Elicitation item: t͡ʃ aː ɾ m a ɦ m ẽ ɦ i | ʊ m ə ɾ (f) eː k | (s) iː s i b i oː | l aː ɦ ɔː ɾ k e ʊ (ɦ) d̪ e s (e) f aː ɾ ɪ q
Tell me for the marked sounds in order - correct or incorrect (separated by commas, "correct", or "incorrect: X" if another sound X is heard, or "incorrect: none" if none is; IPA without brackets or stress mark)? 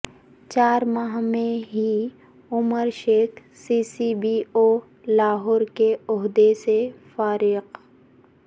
incorrect: ʃ, correct, correct, correct